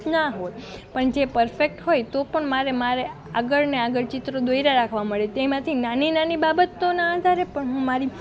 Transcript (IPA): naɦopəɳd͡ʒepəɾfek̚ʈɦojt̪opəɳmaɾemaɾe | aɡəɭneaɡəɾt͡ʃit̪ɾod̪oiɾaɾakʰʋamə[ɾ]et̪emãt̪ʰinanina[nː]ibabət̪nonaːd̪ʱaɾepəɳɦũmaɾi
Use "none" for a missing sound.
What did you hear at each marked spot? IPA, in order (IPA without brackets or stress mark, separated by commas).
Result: ɭ, n